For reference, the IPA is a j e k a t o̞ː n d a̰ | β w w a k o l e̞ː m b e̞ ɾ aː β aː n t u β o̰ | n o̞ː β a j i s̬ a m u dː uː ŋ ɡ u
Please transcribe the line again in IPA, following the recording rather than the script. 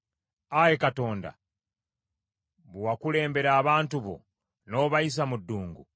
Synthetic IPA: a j e k a t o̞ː n d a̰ | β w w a k u l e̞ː m b e̞ ɾ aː β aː n t u β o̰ | n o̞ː β a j i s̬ a m u dː uː ŋ ɡ u